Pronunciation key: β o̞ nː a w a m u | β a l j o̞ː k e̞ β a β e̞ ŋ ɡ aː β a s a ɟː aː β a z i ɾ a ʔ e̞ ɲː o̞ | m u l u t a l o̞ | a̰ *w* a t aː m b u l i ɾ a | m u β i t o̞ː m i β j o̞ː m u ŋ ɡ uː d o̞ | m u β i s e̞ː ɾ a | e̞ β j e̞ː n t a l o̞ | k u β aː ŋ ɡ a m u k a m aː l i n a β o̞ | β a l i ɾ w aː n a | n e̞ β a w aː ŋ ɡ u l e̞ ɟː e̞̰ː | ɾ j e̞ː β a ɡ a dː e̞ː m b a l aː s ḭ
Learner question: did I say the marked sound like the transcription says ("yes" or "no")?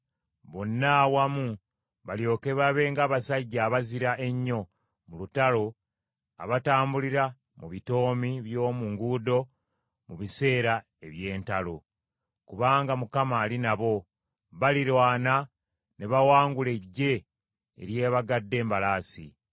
no